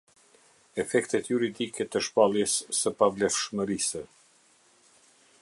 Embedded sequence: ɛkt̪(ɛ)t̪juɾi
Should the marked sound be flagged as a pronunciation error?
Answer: no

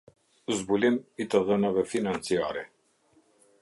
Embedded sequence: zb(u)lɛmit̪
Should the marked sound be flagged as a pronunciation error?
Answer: no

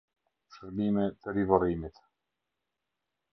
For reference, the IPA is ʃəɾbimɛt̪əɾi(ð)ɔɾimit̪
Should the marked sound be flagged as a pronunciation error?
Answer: yes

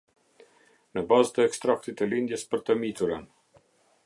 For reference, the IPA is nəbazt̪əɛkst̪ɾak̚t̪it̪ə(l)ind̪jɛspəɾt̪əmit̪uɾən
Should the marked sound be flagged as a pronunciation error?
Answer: no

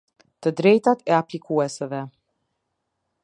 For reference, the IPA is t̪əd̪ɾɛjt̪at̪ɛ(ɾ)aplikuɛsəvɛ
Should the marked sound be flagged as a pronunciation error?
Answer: yes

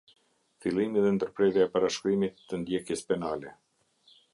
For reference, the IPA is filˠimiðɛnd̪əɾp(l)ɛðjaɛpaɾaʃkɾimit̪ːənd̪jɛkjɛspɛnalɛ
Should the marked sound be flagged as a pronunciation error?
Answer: yes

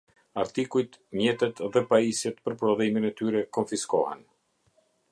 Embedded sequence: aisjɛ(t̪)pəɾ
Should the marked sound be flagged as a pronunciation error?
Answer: no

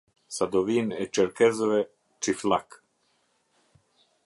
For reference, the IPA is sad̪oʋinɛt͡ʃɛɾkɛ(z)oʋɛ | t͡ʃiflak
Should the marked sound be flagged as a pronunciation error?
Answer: no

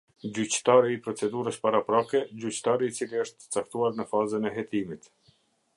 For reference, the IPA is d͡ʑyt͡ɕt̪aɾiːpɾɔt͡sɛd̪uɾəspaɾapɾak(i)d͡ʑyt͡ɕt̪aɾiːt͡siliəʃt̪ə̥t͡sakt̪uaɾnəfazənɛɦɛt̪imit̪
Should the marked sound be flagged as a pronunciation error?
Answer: yes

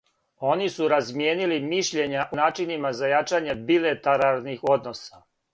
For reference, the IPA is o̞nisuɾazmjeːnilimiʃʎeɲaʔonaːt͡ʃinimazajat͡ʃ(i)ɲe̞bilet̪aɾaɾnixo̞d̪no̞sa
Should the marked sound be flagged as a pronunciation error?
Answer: yes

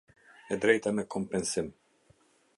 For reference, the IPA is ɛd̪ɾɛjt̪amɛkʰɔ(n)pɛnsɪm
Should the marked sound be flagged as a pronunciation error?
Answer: yes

